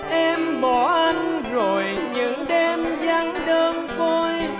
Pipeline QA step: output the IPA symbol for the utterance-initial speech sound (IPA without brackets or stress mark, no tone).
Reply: ʔ